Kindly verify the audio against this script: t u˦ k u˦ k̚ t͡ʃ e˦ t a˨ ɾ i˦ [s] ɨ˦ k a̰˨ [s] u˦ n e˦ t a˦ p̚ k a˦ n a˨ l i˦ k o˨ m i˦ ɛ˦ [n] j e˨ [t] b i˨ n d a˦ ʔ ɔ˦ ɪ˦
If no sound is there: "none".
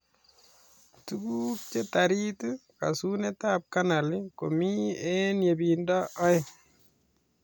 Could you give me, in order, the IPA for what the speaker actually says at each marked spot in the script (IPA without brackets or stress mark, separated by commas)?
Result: t, s, n, none